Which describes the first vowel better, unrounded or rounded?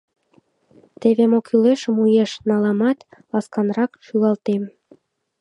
unrounded